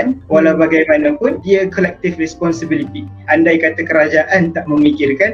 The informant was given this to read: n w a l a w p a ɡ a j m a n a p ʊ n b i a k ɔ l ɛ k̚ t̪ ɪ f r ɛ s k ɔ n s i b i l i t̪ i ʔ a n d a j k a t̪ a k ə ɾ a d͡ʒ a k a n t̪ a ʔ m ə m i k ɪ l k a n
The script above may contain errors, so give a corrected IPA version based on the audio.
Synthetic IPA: n w a l a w b a ɡ a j m a n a p ʊ n d i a k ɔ l ɛ k̚ t̪ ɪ f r ɛ s p ɔ n s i b i l i t̪ i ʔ a n d a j k a t̪ a k ə ɾ a d͡ʒ a ʔ a n t̪ a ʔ m ə m i k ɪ r k a n